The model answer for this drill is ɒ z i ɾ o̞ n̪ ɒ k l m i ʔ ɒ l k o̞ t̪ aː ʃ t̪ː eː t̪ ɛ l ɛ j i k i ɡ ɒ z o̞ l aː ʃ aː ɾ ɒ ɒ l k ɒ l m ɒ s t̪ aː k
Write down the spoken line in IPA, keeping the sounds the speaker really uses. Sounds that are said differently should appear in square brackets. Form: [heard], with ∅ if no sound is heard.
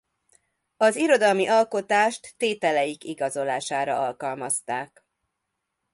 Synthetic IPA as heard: ɒ z i ɾ o̞ [d̪] ɒ [∅] l m i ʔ ɒ l k o̞ t̪ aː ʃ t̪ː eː t̪ ɛ l ɛ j i k i ɡ ɒ z o̞ l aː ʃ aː ɾ ɒ ɒ l k ɒ l m ɒ s t̪ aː k